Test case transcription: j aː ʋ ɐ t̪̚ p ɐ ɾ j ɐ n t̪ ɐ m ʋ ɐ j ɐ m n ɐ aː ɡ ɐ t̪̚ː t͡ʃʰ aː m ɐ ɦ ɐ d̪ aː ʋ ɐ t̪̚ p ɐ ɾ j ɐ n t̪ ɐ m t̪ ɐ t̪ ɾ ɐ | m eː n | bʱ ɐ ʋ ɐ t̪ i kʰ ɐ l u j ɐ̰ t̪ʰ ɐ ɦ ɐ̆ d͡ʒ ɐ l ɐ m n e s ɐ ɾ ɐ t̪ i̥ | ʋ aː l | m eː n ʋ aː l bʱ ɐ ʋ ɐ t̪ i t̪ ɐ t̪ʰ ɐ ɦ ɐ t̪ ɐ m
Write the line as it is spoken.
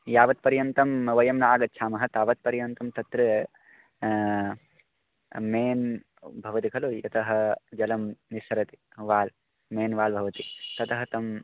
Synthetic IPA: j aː ʋ ɐ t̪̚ p ɐ ɾ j ɐ n t̪ ɐ m ʋ ɐ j ɐ m n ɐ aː ɡ ɐ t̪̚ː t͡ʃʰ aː m ɐ ɦ ɐ t̪ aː ʋ ɐ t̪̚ p ɐ ɾ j ɐ n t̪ ɐ m t̪ ɐ t̪ ɾ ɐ | m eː n | bʱ ɐ ʋ ɐ t̪ i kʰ ɐ l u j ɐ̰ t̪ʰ ɐ ɦ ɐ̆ d͡ʒ ɐ l ɐ m n i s ɐ ɾ ɐ t̪ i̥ | ʋ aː l | m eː n ʋ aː l bʱ ɐ ʋ ɐ t̪ i t̪ ɐ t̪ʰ ɐ ɦ ɐ t̪ ɐ m